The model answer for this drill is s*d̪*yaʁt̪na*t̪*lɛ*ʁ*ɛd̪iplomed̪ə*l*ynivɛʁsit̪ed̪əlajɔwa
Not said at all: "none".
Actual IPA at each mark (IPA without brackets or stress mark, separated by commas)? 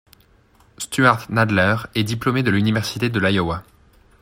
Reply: t̪, d̪, ʁ, l